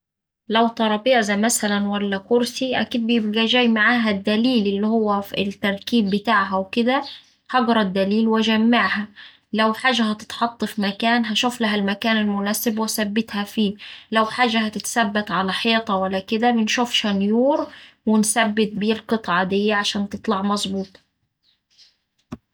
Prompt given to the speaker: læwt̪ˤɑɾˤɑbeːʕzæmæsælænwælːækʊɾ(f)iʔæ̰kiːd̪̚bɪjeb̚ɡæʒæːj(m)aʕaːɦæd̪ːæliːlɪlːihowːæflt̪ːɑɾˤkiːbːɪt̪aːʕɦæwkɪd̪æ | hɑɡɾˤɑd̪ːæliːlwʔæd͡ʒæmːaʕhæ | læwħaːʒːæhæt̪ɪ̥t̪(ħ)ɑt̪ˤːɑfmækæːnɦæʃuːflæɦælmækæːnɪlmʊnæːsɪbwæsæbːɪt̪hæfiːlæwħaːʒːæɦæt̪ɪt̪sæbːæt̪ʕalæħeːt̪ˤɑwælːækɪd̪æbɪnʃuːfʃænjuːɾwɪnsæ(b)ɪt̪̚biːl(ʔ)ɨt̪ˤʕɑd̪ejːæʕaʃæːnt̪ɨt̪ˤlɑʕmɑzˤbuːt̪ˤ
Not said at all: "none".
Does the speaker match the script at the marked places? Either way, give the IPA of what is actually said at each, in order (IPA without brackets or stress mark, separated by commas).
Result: s, m, ħ, bː, q